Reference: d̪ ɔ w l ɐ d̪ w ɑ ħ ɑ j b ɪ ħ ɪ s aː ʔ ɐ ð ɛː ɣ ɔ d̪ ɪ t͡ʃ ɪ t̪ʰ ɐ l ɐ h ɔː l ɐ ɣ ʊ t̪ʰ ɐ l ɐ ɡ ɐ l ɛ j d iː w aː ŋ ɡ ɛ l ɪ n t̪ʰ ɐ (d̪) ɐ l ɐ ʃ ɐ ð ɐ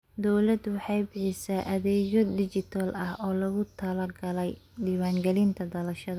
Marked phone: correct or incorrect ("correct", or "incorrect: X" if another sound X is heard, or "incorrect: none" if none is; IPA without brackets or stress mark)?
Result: correct